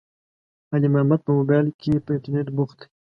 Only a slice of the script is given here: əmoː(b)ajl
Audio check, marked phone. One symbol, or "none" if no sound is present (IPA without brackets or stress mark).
b